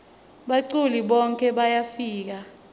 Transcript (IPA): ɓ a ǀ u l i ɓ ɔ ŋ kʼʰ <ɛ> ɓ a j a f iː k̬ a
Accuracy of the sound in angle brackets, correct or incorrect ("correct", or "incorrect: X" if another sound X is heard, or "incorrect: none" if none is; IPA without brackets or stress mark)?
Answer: correct